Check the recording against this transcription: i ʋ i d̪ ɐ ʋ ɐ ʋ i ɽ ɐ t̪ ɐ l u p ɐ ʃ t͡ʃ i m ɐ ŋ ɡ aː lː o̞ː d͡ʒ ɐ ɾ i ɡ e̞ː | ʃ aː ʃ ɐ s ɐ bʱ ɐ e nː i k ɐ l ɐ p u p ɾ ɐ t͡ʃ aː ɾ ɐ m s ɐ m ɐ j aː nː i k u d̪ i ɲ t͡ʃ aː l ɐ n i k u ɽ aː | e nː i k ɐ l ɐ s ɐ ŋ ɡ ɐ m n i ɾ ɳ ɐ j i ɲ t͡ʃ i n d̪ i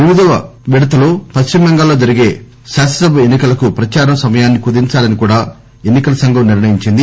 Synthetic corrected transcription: i ʋ i d̪ ɐ ʋ ɐ ʋ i ɽ ɐ t̪ ɐ l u p ɐ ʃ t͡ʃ i m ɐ ŋ ɡ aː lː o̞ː d͡ʒ ɐ ɾ i ɡ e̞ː | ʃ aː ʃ ɐ s ɐ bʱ ɐ e nː i k ɐ l ɐ k u p ɾ ɐ t͡ʃ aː ɾ ɐ m s ɐ m ɐ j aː nː i k u d̪ i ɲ t͡ʃ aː l ɐ n i k uː ɽ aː | e nː i k ɐ l ɐ s ɐ ŋ ɡ ɐ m n i ɾ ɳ ɐ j i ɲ t͡ʃ i n d̪ i